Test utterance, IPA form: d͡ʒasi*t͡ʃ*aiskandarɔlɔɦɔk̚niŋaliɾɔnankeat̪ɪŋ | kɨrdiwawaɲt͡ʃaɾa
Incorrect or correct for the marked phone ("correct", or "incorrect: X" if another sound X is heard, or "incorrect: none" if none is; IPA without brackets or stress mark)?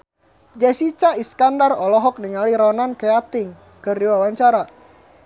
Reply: correct